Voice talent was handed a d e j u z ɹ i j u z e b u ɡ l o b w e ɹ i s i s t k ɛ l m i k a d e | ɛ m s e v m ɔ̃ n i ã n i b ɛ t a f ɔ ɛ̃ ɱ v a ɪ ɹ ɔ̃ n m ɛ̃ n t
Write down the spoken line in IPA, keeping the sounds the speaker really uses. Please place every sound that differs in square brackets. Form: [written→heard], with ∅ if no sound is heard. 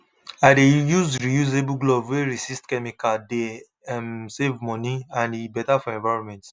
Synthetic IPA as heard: a d e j u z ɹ i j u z e b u ɡ l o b w e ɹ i s i s t k ɛ [l→∅] m i k a d e | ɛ m s e v m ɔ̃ n i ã n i b ɛ t a f ɔ ɛ̃ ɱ v a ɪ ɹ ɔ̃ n m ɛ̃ n t